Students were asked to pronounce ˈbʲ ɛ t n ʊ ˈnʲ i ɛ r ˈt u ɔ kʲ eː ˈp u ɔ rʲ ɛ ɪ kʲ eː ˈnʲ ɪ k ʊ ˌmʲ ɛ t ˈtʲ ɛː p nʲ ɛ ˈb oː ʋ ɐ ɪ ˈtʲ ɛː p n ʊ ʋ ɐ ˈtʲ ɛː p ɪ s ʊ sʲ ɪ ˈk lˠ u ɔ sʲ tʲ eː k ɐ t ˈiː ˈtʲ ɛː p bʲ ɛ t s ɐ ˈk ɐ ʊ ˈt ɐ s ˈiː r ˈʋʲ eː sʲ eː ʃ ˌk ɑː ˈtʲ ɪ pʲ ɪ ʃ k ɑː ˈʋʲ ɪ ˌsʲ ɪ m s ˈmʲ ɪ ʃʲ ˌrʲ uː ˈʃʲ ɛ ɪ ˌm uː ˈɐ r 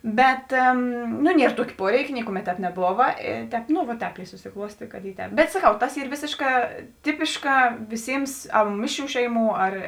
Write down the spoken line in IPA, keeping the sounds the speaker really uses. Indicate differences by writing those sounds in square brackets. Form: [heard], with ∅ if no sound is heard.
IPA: ˈbʲ ɛ t n ʊ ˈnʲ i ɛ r ˈt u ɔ kʲ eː ˈp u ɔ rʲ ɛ ɪ kʲ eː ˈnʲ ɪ k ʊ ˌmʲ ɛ t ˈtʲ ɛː p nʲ ɛ ˈb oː ʋ ɐ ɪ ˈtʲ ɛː p n ʊ ʋ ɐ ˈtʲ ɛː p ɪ s ʊ sʲ ɪ ˈk lˠ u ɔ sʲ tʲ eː k ɐ t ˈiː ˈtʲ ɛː p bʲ ɛ t s ɐ ˈk ɐ ʊ ˈt ɐ s ˈiː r ˈʋʲ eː sʲ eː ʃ ˌk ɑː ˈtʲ ɪ pʲ ɪ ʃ k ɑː ˈʋʲ ɪ ˌsʲ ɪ m s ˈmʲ ɪ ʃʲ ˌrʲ uː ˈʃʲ ɛ ɪ ˌm uː ˈɐ r